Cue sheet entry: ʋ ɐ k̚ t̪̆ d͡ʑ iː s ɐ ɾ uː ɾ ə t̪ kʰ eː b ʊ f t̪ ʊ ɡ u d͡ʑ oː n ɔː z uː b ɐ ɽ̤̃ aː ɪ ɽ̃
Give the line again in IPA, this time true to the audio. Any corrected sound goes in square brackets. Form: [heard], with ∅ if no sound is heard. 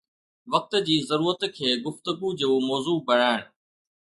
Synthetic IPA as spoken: ʋ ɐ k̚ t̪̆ d͡ʑ iː [z] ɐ ɾ uː ɾ ə t̪ kʰ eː [ɡ] ʊ f t̪ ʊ ɡ u d͡ʑ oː [m] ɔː z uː b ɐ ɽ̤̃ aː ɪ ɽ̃